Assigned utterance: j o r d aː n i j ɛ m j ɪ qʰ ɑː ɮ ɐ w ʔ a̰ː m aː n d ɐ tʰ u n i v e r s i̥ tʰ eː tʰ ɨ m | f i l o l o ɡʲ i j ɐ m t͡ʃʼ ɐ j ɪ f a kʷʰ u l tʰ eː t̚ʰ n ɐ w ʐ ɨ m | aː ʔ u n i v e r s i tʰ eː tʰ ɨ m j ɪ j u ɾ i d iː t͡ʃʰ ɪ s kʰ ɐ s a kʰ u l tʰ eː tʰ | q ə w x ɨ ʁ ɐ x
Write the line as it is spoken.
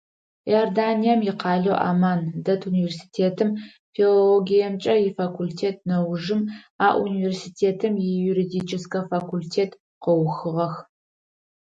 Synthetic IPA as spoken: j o r d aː n i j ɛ m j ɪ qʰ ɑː ɮ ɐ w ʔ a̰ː m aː n d ɐ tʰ u n i v e r s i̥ tʰ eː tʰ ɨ m | f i l o l o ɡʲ i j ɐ m t͡ʃʼ ɐ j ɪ f a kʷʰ u l tʰ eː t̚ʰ n ɐ w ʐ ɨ m | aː ʔ u n i v e r s i tʰ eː tʰ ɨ m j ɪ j u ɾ i d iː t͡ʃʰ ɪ s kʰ ɐ f a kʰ u l tʰ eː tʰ | q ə w x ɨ ʁ ɐ x